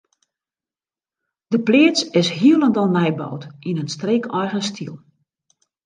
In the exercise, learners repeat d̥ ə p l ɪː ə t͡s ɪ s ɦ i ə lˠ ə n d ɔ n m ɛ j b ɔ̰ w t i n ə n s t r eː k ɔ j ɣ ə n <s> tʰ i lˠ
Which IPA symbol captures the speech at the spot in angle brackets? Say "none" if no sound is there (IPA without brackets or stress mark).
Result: s